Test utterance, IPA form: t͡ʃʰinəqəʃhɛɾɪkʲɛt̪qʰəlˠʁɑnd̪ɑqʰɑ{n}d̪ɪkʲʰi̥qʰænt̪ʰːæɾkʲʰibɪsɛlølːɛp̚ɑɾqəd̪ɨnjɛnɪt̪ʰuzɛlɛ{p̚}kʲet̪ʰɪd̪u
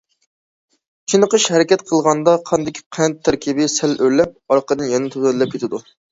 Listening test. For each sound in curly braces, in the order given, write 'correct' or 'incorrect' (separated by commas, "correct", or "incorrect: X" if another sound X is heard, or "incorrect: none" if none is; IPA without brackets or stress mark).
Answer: correct, correct